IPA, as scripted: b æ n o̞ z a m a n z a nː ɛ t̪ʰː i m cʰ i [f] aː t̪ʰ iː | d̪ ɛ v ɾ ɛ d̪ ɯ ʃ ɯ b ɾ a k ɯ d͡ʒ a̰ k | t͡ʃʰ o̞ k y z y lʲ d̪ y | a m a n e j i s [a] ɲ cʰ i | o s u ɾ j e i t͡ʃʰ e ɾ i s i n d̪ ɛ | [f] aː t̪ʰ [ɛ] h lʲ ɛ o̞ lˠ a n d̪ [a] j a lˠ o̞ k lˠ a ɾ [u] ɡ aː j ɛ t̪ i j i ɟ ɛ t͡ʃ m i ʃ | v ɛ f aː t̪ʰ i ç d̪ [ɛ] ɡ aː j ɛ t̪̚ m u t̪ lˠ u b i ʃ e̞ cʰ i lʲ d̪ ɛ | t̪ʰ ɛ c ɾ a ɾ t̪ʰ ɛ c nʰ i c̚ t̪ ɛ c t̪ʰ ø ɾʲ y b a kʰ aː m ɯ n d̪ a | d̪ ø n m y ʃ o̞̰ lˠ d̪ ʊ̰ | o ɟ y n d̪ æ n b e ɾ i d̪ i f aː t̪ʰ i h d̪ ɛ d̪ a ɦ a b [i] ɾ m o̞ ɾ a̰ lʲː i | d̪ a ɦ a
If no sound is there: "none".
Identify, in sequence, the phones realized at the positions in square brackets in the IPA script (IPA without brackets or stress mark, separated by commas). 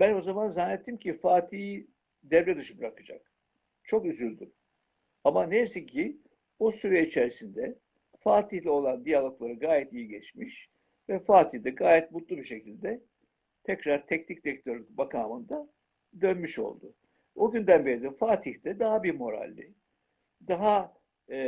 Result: f, i, f, i, i, ɯ, ɛ, i